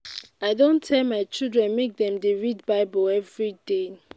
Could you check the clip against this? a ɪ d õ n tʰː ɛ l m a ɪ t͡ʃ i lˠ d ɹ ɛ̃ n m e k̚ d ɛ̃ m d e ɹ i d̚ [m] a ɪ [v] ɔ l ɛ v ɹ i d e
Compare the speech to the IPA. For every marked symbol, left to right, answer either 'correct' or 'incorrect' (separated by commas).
incorrect, incorrect